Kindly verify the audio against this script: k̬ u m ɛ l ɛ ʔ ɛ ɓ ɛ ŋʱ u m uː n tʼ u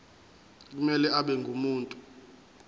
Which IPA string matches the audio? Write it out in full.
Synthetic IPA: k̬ u m ɛ l ɛ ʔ a ɓ ɛ ŋʱ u m uː n tʼ u

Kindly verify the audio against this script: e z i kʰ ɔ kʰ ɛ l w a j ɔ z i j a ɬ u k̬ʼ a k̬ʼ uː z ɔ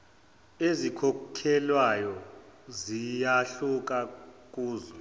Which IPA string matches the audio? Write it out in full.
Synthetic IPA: e z i kʰ ɔ kʰ ɛ l w a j ɔ z i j a ɬ u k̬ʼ a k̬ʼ uː z ɔ

